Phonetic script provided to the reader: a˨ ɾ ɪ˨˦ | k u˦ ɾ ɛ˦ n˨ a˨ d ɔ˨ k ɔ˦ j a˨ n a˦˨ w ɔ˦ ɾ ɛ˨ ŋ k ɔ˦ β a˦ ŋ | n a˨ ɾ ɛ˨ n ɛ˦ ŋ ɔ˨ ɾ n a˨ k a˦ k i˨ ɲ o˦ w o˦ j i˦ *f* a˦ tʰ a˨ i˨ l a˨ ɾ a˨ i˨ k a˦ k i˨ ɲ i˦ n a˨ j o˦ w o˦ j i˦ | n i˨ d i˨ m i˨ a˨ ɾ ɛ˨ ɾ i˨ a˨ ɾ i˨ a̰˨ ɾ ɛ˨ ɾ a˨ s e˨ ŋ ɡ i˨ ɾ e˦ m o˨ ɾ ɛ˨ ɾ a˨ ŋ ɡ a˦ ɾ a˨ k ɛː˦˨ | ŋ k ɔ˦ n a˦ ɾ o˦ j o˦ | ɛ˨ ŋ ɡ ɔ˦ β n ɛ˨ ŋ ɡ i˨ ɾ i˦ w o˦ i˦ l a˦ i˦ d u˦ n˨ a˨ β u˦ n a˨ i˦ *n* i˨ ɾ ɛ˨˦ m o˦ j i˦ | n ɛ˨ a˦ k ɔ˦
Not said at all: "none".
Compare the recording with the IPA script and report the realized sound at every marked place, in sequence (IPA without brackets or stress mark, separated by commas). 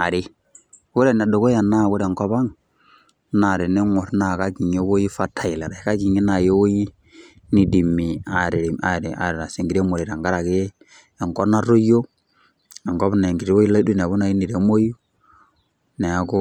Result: f, n